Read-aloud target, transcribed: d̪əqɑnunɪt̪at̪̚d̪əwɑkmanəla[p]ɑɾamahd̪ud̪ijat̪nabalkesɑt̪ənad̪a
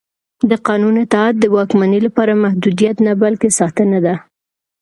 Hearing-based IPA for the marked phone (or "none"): p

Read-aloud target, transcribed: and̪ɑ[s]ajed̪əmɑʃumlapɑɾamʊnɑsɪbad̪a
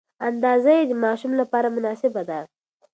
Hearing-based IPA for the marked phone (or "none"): z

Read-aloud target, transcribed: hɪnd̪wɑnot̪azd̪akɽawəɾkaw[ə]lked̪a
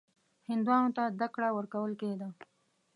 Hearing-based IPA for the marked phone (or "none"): ə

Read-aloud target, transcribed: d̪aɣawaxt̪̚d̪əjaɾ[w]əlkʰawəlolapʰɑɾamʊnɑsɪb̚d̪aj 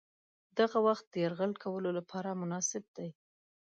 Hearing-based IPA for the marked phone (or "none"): ɣ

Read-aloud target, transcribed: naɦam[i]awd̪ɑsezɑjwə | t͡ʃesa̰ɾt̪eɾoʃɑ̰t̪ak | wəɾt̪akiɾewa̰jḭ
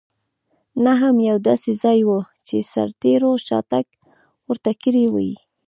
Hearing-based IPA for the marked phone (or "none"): j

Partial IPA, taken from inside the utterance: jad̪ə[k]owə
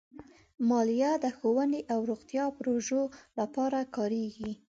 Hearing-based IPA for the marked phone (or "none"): x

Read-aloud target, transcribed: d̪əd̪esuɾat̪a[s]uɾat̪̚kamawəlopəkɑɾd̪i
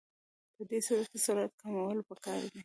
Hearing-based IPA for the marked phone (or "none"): s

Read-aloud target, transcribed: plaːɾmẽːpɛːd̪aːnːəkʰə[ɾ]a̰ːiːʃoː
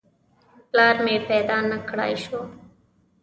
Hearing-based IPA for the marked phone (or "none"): ɽ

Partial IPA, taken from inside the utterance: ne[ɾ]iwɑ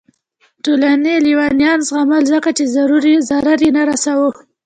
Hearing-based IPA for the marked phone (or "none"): l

